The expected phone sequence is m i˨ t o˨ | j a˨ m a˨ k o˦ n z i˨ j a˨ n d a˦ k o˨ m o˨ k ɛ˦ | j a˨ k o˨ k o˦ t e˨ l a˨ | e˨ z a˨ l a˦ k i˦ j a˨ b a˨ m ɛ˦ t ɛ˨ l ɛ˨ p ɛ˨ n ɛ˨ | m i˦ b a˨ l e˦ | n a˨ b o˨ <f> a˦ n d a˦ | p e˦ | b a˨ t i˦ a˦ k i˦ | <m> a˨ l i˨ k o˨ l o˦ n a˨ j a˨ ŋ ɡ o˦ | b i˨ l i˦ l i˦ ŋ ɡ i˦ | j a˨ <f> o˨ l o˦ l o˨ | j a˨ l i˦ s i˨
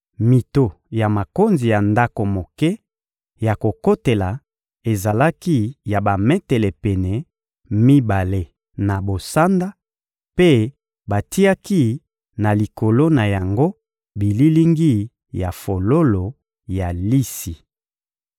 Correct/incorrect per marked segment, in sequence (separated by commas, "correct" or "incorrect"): incorrect, incorrect, correct